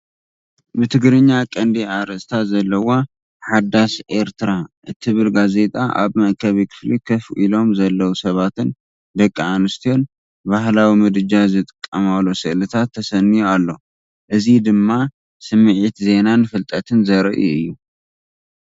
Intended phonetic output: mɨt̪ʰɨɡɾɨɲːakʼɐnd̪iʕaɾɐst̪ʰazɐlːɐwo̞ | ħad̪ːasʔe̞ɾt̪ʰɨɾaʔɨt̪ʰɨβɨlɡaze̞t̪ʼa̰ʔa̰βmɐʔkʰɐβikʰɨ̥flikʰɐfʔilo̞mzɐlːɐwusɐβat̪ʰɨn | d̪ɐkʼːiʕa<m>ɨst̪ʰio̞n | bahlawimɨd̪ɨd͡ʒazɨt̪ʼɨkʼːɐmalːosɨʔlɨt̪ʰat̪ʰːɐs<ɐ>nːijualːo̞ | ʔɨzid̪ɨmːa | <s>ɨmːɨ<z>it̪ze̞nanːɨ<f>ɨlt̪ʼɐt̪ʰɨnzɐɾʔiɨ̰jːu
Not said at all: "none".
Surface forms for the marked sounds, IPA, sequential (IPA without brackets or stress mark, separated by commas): n, ɐ, s, ʕ, f